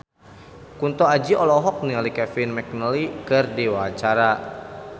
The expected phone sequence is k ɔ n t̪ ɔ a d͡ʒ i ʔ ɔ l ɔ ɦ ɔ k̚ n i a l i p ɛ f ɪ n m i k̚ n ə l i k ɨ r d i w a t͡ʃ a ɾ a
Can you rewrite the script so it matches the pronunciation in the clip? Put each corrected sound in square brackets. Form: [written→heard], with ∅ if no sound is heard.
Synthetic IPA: k [ɔ→u] n t̪ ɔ a d͡ʒ i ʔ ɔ l ɔ ɦ ɔ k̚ n i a l i [p→k] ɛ f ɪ n m [i→ɛ] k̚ n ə l i k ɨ r d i w a t͡ʃ a ɾ a